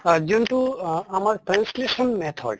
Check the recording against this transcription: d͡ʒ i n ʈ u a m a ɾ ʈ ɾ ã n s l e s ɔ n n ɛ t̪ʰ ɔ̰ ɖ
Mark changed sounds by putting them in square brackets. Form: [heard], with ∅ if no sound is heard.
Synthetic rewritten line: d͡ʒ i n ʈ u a m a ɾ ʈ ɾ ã n s l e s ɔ n [m] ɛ t̪ʰ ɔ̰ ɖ